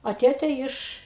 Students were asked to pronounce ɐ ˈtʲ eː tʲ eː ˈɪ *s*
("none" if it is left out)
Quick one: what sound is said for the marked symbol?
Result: ʃ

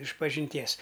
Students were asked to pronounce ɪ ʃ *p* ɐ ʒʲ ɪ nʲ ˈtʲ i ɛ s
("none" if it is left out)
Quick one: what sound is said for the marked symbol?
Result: p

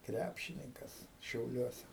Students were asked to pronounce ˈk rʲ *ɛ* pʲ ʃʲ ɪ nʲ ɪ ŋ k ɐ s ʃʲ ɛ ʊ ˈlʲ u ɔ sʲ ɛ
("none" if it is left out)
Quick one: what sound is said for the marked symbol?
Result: æ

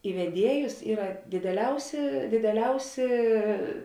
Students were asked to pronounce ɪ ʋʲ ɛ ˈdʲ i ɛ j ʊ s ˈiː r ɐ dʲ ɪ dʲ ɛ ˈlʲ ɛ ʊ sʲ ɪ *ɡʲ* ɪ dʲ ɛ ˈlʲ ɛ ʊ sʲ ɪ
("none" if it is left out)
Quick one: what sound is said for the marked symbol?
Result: dʲ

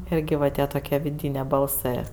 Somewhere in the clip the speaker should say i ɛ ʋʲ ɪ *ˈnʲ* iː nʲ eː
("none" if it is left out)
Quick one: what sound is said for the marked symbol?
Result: dʲ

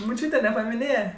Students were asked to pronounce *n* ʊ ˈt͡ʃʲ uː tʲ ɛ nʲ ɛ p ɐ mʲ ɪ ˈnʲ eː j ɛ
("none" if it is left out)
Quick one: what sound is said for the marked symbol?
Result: m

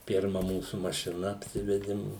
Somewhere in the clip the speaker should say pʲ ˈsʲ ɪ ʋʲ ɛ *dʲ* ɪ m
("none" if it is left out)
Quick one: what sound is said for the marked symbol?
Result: dʲ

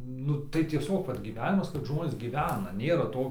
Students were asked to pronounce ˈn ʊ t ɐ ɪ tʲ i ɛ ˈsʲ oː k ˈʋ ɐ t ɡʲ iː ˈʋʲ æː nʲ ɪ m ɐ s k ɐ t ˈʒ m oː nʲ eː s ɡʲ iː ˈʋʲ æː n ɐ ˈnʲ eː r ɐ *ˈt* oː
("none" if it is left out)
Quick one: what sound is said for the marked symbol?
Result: t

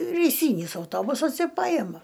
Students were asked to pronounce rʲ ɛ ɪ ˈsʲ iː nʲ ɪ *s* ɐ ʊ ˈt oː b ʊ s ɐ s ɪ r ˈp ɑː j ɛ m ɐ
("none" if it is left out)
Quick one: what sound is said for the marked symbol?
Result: s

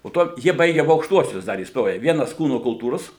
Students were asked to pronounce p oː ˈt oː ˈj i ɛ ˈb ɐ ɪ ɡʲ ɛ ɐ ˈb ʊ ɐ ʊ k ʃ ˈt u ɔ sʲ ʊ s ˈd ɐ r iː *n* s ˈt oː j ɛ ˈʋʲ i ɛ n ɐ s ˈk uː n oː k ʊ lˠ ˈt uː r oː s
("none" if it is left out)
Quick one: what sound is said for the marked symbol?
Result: none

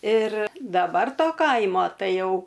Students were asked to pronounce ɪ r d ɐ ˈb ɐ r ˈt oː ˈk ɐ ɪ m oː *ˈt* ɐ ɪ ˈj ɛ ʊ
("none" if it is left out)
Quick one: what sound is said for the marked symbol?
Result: t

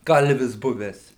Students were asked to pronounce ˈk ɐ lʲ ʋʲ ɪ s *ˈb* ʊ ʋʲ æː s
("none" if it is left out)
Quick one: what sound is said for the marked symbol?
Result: b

